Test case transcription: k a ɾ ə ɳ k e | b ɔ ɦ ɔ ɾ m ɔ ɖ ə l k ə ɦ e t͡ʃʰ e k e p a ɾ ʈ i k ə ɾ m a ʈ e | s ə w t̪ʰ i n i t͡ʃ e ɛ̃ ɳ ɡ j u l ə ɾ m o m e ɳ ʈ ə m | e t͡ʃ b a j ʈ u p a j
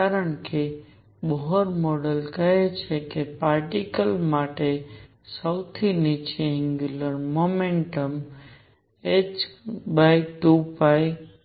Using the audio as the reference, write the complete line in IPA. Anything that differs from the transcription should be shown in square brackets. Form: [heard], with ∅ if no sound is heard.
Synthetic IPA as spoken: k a ɾ ə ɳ k e | b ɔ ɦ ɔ ɾ m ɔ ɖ ə l k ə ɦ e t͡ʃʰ e k e p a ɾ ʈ i k ə [l] m a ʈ e | s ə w t̪ʰ i n i t͡ʃ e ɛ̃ [ŋ] ɡ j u l ə ɾ m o m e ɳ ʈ ə m | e t͡ʃ b a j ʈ u p a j